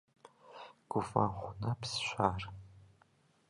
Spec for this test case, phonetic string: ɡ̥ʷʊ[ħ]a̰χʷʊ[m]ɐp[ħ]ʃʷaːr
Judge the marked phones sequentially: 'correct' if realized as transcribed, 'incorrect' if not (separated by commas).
incorrect, incorrect, incorrect